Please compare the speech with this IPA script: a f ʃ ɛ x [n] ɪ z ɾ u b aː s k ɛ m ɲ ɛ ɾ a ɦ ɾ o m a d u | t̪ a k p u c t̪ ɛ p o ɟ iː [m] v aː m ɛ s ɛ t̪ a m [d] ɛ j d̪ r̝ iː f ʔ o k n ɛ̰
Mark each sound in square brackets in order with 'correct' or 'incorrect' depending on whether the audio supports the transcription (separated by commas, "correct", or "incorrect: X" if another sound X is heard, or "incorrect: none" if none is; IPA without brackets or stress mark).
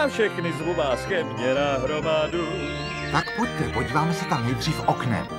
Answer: correct, incorrect: none, incorrect: n